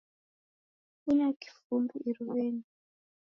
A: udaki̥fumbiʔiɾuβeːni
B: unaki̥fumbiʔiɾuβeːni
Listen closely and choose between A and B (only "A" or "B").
B